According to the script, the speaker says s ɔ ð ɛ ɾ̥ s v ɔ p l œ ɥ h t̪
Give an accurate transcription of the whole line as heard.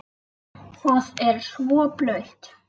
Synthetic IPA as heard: θ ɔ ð ɛ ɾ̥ s v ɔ p l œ ɥ h t̪

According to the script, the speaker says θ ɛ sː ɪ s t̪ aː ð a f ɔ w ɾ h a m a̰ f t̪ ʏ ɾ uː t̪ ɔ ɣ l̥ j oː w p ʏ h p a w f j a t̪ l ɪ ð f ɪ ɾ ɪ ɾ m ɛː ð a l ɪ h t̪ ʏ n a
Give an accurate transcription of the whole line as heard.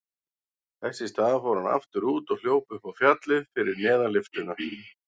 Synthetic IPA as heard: θ ɛ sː ɪ s t̪ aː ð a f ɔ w ɾ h a n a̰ f t̪ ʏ ɾ uː t̪ ɔ ɣ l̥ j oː w p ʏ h p a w f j a t̪ l ɪ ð f ɪ ɾ ɪ ɾ n ɛː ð a l ɪ f t̪ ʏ n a

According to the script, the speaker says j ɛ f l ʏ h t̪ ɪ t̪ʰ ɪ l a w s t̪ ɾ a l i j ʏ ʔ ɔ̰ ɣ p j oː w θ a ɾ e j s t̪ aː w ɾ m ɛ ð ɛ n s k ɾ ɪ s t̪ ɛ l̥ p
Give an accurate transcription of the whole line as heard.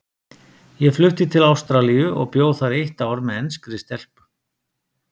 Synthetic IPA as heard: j ɛ f l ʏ h t̪ ɪ t̪ʰ ɪ l a w s t̪ ɾ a l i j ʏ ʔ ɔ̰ ɣ p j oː w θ a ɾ e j h t̪ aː w ɾ m ɛ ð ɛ n s k ɾ ɪ s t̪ ɛ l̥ p

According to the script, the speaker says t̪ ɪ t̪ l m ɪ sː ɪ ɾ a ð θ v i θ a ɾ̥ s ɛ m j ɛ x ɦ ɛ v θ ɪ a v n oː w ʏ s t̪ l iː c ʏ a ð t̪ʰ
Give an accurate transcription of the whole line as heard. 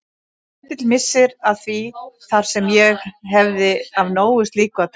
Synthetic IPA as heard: t̪ ɪ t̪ l m ɪ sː ɪ ɾ a ð θ v i θ a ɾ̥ s ɛ m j ɛ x ɦ ɛ v ð ɪ a v n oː w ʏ s t̪ l iː k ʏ a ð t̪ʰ

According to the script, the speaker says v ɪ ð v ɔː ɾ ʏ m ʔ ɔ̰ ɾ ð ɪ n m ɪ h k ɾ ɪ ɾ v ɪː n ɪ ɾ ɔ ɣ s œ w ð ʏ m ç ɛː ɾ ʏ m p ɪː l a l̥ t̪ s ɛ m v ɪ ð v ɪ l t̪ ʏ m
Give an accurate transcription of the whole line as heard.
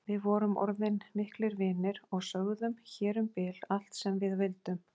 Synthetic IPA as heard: v ɪ ð v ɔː ɾ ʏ m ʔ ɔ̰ ɾ ð ɪ n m ɪ h k l ɪ ɾ v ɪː n ɪ ɾ ɔ ɣ s œ ɣ ð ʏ m ç ɛː ɾ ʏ m p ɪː l a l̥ t̪ s ɛ m v ɪ ð v ɪ l t̪ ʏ m

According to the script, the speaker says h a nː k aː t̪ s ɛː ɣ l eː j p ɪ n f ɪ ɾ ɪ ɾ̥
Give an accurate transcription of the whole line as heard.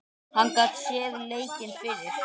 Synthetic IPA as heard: h a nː k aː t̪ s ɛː ð l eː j c ɪ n f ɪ ɾ ɪ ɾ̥

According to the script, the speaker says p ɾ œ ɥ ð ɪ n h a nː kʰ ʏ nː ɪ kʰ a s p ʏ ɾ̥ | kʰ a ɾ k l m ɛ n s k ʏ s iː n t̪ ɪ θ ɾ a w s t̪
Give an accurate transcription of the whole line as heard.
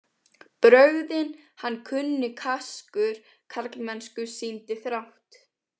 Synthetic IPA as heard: p ɾ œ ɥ ð ɪ n h a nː kʰ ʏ nː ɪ kʰ a s k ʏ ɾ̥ | kʰ a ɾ k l m ɛ n s k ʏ s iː n t̪ ɪ θ ɾ a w h t̪

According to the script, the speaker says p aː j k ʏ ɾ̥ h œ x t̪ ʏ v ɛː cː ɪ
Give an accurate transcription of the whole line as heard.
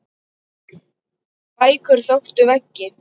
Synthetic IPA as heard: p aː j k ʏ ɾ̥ θ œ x t̪ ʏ v ɛ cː ɪ

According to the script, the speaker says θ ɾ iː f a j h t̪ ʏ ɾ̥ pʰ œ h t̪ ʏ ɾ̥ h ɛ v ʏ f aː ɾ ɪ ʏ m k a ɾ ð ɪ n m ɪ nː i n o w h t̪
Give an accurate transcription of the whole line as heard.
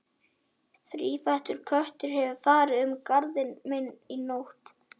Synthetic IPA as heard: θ ɾ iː f a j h t̪ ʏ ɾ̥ kʰ œ h t̪ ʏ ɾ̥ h ɛ v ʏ f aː ɾ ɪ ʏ m k a ɾ ð ɪ n m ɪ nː i n o w h t̪

